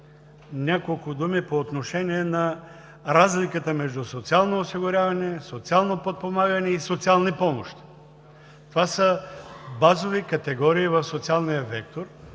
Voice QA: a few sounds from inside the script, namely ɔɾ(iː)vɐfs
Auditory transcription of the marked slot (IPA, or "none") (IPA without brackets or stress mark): iː